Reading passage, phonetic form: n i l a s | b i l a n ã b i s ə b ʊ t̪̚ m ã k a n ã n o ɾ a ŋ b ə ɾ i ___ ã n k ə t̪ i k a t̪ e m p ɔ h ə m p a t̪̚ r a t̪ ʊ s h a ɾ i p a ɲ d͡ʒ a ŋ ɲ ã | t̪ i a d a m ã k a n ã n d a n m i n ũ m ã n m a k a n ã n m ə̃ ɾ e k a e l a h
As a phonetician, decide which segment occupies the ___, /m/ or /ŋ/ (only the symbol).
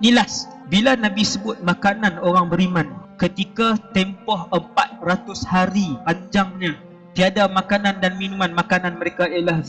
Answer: m